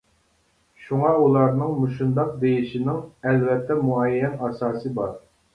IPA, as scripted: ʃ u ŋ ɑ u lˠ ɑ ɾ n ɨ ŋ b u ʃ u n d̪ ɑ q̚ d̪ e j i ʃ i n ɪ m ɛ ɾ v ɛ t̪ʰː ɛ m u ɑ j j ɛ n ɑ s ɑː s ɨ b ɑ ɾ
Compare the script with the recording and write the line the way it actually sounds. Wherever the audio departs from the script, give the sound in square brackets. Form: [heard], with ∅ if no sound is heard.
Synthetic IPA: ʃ u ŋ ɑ u lˠ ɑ ɾ n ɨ ŋ [m] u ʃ u n d̪ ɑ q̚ d̪ e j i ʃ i n ɪ [ŋ] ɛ [l] v ɛ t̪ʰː ɛ m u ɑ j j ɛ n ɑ s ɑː s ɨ b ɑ ɾ